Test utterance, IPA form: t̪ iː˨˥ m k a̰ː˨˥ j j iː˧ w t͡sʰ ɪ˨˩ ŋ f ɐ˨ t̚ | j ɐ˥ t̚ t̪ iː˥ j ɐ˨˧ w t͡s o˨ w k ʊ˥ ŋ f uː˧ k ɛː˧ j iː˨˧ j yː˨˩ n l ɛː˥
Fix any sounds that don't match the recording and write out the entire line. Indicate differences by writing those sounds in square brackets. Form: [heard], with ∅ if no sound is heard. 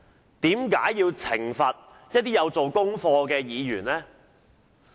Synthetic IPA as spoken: t̪ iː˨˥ m k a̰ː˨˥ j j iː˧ w t͡sʰ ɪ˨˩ ŋ f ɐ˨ t̚ | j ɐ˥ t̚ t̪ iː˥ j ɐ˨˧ w t͡s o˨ w k ʊ˥ ŋ f [ɔː˧] k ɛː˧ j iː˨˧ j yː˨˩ n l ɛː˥